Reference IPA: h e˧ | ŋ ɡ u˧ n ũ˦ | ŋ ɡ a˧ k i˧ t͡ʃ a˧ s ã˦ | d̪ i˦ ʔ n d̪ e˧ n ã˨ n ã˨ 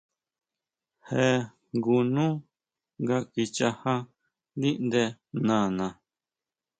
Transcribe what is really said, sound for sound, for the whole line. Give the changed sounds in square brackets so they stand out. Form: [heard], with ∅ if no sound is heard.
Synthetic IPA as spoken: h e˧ | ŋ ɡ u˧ n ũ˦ | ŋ ɡ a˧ k i˧ t͡ʃ a˧ [h] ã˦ | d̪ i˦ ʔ n d̪ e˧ n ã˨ n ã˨

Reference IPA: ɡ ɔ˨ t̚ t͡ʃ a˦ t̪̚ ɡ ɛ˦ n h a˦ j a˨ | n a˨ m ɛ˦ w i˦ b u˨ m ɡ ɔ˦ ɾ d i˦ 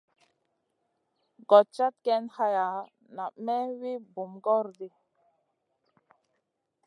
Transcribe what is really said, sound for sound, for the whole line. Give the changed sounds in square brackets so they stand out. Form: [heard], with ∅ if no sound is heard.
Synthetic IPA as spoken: ɡ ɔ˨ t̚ t͡ʃ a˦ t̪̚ [k] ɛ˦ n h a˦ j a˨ | n a˨ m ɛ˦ w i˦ b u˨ m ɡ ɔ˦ ɾ d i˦

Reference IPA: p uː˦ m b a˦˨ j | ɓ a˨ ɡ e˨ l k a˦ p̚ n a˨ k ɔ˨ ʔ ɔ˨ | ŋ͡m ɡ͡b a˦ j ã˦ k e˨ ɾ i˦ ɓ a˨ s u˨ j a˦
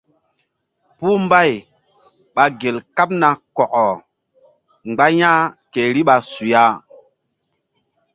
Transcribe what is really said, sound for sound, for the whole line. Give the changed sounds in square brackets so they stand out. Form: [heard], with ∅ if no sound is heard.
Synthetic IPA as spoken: p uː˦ m b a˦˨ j | ɓ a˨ ɡ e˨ l k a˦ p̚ n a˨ k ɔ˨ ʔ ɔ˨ | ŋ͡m ɡ͡b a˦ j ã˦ k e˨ ɾ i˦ ɓ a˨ s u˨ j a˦

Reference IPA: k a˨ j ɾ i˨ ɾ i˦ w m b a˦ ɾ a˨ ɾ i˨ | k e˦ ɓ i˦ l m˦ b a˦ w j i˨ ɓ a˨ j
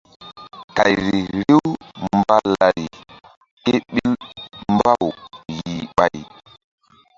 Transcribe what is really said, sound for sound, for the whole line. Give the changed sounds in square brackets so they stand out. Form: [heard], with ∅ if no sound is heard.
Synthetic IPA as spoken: k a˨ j ɾ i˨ ɾ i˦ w m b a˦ [l] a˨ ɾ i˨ | k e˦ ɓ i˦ l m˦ b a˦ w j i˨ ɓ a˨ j

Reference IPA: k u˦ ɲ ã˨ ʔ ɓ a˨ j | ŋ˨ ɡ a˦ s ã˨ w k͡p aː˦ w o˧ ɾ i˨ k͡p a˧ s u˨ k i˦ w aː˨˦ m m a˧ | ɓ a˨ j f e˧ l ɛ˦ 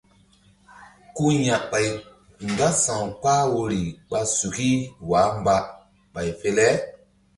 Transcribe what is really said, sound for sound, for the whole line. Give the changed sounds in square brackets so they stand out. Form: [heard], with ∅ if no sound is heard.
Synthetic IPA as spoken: k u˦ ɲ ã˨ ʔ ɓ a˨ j | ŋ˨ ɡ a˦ s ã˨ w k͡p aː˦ w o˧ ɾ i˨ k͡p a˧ s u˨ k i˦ w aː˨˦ m [b] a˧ | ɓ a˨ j f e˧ l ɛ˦

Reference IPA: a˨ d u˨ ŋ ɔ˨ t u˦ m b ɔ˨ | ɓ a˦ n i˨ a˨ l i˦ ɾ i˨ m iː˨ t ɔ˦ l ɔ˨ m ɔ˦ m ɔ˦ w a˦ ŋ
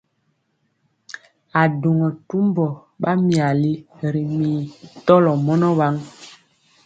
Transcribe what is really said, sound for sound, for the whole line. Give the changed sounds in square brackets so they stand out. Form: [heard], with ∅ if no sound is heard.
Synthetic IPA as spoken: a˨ d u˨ ŋ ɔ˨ t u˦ m b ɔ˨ | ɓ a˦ [m] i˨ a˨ l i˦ ɾ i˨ m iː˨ t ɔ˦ l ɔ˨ m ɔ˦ [n] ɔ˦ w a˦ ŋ

